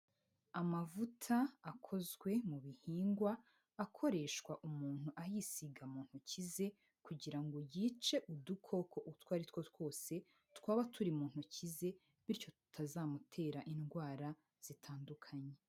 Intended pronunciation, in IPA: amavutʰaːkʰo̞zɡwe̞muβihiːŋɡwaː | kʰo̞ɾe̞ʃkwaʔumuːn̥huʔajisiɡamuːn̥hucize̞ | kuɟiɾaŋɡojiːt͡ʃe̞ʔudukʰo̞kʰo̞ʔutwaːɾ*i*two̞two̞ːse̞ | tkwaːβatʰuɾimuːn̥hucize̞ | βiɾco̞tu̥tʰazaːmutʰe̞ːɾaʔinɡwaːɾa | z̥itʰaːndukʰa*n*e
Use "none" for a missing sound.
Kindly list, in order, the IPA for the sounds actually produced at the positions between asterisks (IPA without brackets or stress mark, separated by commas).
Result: i, ɲ